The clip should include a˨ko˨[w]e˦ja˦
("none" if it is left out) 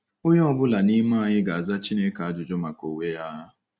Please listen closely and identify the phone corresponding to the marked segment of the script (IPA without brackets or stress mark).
w